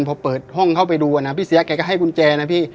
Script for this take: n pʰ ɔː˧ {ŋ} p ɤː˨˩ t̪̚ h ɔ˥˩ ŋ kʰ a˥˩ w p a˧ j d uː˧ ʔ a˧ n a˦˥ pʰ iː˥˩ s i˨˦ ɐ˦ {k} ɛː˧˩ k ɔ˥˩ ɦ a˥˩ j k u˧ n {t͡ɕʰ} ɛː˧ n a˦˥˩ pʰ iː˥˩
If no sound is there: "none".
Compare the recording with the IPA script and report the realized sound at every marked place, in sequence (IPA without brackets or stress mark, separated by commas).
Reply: none, k, t͡ɕ